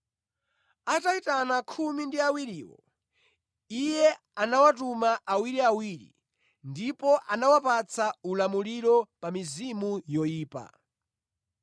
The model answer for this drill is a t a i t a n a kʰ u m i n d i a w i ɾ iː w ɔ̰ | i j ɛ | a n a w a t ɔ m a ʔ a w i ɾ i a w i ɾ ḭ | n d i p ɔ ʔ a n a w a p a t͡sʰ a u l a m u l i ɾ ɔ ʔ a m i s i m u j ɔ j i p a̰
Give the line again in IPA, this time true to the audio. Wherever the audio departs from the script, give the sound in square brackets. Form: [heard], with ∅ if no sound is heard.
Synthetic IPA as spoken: a t a i t a n a kʰ u m i n d i a w i ɾ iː w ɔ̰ | i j ɛ | a n a w a t [u] m a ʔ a w i ɾ i a w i ɾ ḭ | n d i p ɔ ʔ a n a w a p a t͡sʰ a u l a m u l i ɾ ɔ [p] a m i [z] i m u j ɔ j [iː] p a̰

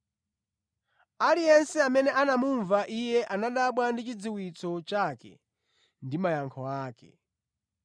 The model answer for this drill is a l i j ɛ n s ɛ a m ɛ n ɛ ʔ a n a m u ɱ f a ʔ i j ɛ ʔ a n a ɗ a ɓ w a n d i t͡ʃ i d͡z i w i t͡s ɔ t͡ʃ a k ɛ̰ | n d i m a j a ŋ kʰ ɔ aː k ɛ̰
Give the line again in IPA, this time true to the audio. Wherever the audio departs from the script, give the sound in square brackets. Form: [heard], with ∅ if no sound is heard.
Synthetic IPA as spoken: a l i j ɛ n s ɛ a m ɛ n ɛ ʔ a n a m u ɱ [v] a ʔ i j ɛ ʔ a n a ɗ a ɓ w a n d i t͡ʃ i d͡z i w i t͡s ɔ t͡ʃ a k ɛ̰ | n d i m a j a ŋ kʰ ɔ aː k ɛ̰

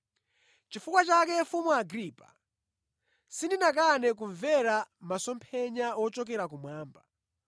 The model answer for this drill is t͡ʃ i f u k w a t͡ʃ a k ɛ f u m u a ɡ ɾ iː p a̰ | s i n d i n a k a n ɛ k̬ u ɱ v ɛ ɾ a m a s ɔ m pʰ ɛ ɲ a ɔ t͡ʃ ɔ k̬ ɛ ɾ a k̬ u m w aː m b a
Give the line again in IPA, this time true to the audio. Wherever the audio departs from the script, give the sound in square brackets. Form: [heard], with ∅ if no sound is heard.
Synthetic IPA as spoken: t͡ʃ i f u k w a t͡ʃ a k ɛ f u m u a ɡ ɾ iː p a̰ | s i n d i n a k a n ɛ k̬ u ɱ v ɛ ɾ a m a s ɔ m pʰ ɛ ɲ a ɔ t͡ʃ ɔ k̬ ɛ ɾ a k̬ u m w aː m b a

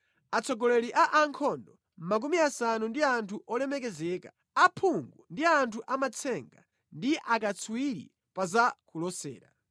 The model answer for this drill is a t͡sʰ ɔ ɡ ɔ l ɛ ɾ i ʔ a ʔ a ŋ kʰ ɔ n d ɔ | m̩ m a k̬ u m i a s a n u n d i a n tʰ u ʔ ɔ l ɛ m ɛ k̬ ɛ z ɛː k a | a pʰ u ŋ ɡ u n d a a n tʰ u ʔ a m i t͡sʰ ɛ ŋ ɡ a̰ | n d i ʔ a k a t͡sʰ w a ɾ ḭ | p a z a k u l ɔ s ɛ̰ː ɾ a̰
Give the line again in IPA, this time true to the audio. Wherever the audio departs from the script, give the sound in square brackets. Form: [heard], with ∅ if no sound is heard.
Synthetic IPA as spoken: a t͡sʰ ɔ ɡ ɔ l ɛ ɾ i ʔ a ʔ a ŋ kʰ ɔ n d ɔ | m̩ m a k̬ u m i a s a n u n d i a n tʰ u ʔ ɔ l ɛ m ɛ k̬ ɛ z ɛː k a | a pʰ u ŋ ɡ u n d [i] a n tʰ u ʔ a m [a] t͡sʰ ɛ ŋ ɡ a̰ | n d i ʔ a k a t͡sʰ w [i] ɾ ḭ | p a z a k u l ɔ s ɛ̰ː ɾ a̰

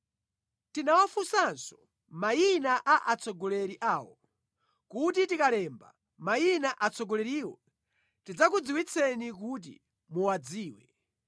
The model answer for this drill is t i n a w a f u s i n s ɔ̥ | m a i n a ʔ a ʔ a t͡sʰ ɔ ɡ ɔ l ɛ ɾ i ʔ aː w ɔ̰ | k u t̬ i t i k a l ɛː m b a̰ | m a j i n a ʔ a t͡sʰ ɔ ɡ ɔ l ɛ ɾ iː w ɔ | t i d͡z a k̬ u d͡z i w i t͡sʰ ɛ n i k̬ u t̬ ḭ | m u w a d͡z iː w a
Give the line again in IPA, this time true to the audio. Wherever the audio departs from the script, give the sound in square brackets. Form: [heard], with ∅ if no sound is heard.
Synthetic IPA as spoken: t i n a w a f u s [a] n s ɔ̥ | m a i n a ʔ a ʔ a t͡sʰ ɔ ɡ ɔ l ɛ ɾ i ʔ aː w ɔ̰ | k u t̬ i t i k a l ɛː m b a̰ | m a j i n a ʔ a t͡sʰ ɔ ɡ ɔ l ɛ ɾ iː w ɔ | t i d͡z a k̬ u d͡z i w i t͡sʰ ɛ n i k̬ u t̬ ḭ | m u w a d͡z iː w [ɛ]

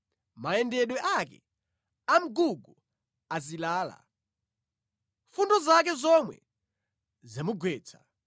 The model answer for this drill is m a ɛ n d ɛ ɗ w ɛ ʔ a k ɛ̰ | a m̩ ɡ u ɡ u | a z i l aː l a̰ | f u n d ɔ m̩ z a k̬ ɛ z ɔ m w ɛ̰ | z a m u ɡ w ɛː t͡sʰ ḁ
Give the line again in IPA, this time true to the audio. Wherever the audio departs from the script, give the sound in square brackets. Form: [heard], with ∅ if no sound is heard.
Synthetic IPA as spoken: m a ɛ n d ɛ ɗ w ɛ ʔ a k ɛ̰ | a m̩ ɡ u ɡ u | a z i l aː l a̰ | f u n d ɔ [∅] z a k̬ ɛ z ɔ m w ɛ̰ | z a m u ɡ w ɛː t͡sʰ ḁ

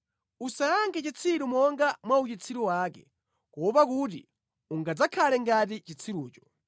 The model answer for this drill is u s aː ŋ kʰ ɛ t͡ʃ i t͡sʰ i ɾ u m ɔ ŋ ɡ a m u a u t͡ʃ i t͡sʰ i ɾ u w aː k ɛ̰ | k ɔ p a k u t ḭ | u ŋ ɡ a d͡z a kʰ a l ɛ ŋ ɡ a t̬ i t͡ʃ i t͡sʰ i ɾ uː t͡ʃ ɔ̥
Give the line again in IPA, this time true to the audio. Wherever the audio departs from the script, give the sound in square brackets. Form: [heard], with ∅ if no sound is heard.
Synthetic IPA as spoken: u s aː ŋ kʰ ɛ t͡ʃ i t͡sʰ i ɾ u m ɔ ŋ ɡ a m [w] a u t͡ʃ i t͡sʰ i ɾ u w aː k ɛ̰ | k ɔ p a k u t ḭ | u ŋ ɡ a d͡z a kʰ a l ɛ ŋ ɡ a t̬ i t͡ʃ i t͡sʰ i ɾ uː t͡ʃ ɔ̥

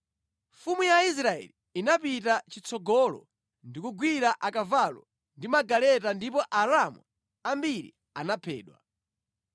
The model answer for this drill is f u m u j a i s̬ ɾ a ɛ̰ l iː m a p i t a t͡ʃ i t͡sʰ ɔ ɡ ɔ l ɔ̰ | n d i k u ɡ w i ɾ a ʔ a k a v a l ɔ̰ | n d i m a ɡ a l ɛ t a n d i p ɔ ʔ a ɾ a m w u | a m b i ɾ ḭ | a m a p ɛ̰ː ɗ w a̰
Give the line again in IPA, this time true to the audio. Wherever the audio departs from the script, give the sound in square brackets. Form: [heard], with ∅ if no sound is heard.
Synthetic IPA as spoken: f u m u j a i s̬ ɾ a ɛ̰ l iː [n] a p i t a t͡ʃ i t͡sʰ ɔ ɡ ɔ l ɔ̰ | n d i k u ɡ w i ɾ a ʔ a k a v a l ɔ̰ | n d i m a ɡ a l ɛ t a n d i p ɔ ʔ a ɾ a m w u | a m b i ɾ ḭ | a [n] a [pʰ] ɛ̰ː ɗ w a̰

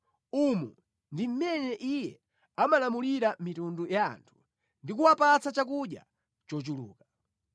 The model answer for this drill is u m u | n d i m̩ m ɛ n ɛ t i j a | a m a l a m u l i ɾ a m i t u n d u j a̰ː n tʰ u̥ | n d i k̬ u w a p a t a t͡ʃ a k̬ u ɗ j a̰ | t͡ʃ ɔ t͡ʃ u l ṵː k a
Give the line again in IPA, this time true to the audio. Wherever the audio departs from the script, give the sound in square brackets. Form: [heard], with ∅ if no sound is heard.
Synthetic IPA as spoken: u m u | n d i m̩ m ɛ n ɛ [ʔ] i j [ɛ] | a m a l a m u l i ɾ a m i t u n d u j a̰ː n tʰ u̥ | n d i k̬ u w a p a [t͡s] a t͡ʃ a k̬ u ɗ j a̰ | t͡ʃ ɔ t͡ʃ u l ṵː k a

